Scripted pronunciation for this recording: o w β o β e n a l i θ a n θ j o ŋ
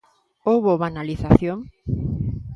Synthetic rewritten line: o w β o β a n a l i θ a θ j o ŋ

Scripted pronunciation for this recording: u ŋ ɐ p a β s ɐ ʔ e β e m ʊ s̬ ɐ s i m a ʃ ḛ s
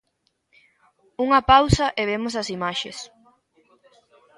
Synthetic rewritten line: u ŋ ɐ p a w s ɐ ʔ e β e m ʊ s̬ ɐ s i m a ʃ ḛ s

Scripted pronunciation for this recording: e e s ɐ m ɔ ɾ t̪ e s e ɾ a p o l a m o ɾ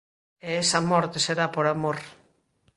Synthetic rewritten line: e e s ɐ m ɔ ɾ t̪ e s e ɾ a p o ɾ a m o ɾ

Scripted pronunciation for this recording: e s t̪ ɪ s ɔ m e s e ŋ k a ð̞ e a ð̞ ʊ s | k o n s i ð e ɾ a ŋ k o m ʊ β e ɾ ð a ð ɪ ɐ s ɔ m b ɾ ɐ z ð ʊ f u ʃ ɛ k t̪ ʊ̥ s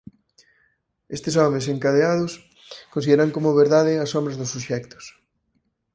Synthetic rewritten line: e s t̪ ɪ s ɔ m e s e ŋ k a ð̞ e a ð̞ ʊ s | k o n s i ð e ɾ a ŋ k o m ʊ β e ɾ ð a ð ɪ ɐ s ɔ m b ɾ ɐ z ð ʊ s u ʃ ɛ k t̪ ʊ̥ s

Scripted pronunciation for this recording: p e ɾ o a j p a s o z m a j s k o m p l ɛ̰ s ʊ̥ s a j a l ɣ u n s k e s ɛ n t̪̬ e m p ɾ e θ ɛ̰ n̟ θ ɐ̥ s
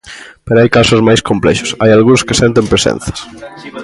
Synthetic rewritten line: p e ɾ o a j k a s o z m a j s k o m p l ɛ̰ ʃ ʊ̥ s a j a l ɣ u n s k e s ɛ n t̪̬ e m p ɾ e s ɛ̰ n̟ θ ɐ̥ s

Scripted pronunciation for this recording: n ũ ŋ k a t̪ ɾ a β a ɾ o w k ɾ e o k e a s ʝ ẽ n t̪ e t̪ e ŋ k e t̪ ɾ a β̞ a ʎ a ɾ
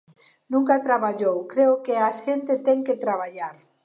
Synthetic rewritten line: n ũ ŋ k a t̪ ɾ a β a ʎ o w k ɾ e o k e a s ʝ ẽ n t̪ e t̪ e ŋ k e t̪ ɾ a β̞ a ʎ a ɾ

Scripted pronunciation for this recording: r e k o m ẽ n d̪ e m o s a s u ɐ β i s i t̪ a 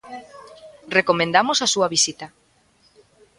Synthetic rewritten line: r e k o m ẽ n d̪ a m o s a s u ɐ β i s i t̪ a

